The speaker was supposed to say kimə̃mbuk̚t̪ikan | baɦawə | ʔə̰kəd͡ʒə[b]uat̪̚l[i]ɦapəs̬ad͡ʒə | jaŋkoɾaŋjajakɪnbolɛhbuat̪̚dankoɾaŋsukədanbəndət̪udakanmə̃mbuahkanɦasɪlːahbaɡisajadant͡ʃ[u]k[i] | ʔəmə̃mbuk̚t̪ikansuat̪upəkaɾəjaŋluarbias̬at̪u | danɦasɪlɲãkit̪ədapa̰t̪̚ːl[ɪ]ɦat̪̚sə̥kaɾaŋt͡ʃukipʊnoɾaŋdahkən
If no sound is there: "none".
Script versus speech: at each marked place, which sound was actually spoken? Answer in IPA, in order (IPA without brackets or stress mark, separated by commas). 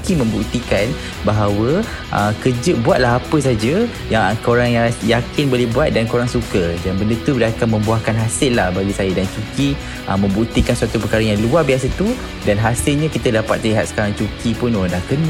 b, a, u, i, i